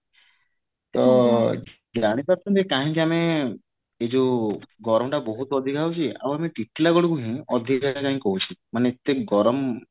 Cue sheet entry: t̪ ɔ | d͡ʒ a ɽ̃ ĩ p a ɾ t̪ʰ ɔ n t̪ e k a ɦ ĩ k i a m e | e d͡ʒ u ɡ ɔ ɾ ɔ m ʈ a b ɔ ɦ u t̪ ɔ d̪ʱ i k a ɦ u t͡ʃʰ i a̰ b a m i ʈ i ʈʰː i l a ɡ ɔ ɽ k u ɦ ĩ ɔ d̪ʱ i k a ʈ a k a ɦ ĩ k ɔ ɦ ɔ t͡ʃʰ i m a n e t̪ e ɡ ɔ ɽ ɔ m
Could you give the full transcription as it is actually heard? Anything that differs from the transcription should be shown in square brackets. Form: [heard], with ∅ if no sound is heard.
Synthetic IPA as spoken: t̪ ɔ | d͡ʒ a ɽ̃ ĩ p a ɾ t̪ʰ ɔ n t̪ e k a ɦ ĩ k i a m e | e d͡ʒ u ɡ ɔ ɾ ɔ m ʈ a b ɔ ɦ u t̪ ɔ d̪ʱ i k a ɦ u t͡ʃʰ i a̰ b a m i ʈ i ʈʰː i l a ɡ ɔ ɽ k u ɦ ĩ ɔ d̪ʱ i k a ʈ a k a ɦ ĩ k ɔ ɦ [u] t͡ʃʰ i m a n e t̪ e ɡ ɔ [ɾ] ɔ m